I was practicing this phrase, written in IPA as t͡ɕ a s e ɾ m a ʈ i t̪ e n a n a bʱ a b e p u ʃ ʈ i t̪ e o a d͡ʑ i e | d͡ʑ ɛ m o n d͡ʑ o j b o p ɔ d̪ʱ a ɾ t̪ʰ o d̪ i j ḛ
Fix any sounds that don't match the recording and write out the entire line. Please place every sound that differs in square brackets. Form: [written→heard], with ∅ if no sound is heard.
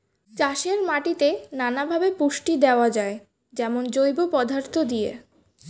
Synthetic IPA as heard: t͡ɕ a [s→ʃ] e ɾ m a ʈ i t̪ e n a n a bʱ a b e p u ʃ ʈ i [t̪→d̪] e o a d͡ʑ [i→a] e | d͡ʑ ɛ m o n d͡ʑ o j b o p ɔ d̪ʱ a ɾ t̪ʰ o d̪ i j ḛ